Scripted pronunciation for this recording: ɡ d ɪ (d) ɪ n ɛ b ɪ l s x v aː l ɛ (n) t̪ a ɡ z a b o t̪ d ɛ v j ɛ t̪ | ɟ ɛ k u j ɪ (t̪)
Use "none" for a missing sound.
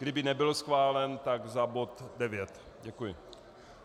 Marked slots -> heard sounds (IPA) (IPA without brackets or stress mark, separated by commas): b, n, none